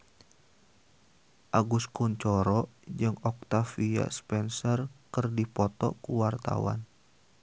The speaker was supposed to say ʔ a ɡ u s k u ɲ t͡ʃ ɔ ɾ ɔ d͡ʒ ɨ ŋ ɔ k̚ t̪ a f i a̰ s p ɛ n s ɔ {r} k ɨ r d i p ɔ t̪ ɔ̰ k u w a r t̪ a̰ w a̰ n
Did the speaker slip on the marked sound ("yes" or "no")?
no